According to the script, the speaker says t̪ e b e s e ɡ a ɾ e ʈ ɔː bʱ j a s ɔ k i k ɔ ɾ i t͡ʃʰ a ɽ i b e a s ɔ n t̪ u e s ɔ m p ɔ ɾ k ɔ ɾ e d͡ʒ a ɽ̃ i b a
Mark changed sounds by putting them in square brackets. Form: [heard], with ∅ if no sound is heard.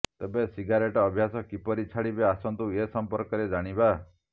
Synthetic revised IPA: t̪ e b e s [i] ɡ a ɾ e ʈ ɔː bʱ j a s ɔ k i [p] ɔ ɾ i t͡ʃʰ a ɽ i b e a s ɔ n t̪ u e s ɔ m p ɔ ɾ k ɔ ɾ e d͡ʒ a ɽ̃ i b a